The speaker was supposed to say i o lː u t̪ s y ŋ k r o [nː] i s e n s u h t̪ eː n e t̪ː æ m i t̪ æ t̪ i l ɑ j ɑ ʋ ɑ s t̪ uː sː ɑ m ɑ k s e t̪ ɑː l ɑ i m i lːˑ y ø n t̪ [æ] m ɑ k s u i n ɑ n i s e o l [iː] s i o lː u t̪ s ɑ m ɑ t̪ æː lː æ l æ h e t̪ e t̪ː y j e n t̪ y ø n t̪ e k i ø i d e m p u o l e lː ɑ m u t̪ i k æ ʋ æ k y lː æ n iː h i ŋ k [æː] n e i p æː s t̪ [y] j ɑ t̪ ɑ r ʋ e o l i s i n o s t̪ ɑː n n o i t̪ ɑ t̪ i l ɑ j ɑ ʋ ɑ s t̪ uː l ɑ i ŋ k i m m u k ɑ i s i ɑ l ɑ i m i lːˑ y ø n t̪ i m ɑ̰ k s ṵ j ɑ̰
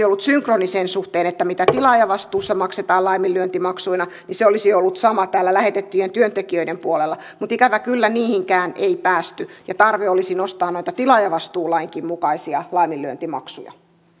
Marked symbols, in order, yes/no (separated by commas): no, no, no, yes, yes